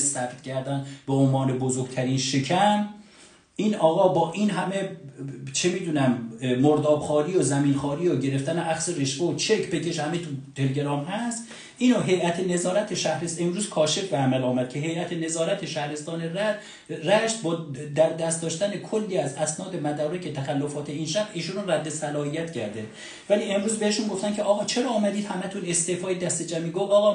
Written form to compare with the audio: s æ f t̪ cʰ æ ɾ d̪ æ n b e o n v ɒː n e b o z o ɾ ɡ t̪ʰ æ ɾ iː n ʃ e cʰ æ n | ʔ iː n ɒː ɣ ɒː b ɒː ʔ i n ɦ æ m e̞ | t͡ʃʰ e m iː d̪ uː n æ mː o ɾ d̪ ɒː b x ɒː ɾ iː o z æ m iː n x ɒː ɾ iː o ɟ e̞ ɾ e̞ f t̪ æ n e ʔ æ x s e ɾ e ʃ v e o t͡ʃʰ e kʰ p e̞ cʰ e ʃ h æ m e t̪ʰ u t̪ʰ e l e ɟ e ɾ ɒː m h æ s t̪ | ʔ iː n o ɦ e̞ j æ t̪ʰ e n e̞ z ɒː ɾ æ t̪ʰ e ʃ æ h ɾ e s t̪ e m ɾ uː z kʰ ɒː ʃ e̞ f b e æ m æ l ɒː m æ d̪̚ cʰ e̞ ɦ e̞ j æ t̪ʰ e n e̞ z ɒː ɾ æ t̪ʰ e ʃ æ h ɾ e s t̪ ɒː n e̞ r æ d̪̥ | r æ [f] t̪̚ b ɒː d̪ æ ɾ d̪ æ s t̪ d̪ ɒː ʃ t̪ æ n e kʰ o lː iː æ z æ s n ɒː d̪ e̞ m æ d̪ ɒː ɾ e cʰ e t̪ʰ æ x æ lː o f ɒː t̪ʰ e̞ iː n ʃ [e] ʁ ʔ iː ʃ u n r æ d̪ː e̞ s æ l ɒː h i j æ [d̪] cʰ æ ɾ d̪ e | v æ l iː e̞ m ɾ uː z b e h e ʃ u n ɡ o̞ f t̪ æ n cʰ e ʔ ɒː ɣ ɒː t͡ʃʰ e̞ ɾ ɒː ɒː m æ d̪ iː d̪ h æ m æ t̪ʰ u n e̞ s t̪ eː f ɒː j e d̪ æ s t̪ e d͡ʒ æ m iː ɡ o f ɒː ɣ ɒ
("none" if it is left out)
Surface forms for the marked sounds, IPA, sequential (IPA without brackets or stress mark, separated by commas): ʃ, æ, t̪